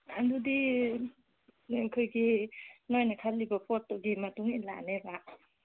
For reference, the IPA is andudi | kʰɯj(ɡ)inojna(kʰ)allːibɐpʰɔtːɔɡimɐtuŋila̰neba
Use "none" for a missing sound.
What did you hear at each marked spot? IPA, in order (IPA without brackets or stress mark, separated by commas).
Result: ɡ, kʰ